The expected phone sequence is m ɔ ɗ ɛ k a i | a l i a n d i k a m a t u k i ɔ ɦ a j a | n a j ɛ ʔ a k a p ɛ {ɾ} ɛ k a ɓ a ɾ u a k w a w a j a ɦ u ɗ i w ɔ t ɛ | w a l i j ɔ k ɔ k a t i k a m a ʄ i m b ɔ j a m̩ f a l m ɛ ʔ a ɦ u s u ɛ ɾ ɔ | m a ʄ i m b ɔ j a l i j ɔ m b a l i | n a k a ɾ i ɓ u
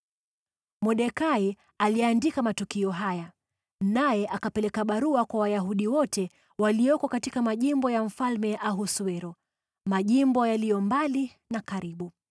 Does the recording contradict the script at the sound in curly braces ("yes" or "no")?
yes